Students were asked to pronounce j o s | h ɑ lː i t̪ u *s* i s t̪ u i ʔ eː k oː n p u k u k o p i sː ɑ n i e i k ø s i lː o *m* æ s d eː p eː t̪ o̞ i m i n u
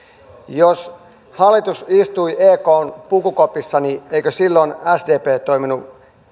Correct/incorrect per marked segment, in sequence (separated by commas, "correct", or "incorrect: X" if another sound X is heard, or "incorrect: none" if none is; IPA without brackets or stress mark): correct, incorrect: n